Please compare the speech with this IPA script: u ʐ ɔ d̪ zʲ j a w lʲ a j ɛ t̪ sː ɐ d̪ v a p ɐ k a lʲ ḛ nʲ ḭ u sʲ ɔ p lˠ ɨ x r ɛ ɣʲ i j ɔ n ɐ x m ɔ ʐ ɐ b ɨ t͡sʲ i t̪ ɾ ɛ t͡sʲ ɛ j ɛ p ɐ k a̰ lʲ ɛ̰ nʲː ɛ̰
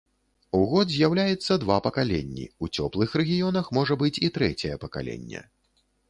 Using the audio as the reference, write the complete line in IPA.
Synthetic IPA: u ɣ ɔ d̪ zʲ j a w lʲ a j ɛ t̪ sː ɐ d̪ v a p ɐ k a lʲ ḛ nʲː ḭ u t͡sʲ ɔ p lˠ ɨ x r ɛ ɣʲ i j ɔ n ɐ x m ɔ ʐ ɐ b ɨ t͡sʲ i t̪ ɾ ɛ t͡sʲ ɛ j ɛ p ɐ k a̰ lʲ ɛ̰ nʲː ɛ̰